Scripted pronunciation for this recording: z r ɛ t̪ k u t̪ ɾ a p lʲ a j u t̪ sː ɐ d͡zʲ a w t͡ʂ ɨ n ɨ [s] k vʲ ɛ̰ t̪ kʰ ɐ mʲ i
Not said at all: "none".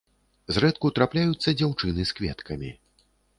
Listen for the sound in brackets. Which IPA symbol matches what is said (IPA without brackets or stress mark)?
s